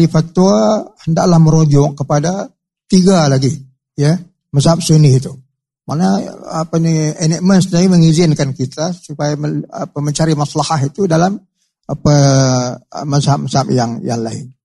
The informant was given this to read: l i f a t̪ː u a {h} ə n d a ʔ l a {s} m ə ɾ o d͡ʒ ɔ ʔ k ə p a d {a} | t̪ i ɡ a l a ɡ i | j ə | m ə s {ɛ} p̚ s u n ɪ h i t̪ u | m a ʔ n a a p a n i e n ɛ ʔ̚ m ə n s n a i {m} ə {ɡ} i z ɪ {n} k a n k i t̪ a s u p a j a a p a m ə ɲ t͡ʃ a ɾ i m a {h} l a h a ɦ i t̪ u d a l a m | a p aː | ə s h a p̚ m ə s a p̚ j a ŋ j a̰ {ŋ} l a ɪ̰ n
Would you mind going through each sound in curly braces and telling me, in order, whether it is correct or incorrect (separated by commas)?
correct, incorrect, correct, incorrect, correct, incorrect, correct, incorrect, correct